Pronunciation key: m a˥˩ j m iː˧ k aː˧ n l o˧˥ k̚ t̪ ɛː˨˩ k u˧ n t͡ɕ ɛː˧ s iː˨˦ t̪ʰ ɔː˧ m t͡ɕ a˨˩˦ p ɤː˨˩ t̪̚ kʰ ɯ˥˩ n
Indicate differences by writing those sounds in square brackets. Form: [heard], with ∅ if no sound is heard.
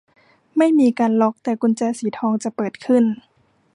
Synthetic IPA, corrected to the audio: m a˥˩ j m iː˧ k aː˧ n l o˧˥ k̚ t̪ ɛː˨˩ k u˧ n t͡ɕ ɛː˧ s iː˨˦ t̪ʰ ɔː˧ [ŋ] t͡ɕ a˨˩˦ p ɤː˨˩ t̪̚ kʰ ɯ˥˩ n